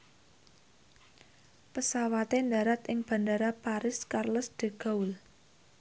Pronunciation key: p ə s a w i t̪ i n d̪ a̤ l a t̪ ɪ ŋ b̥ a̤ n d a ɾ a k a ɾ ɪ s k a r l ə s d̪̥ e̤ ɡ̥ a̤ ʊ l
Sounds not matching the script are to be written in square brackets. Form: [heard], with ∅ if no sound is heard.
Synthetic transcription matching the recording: p ə s a w [a] t̪ [e] n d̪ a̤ [ɾ] a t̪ ɪ ŋ b̥ a̤ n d a ɾ a [p] a ɾ ɪ s k a r l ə s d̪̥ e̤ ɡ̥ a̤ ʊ l